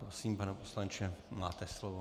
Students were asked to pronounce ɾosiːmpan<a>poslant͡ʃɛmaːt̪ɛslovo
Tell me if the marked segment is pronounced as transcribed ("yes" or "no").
no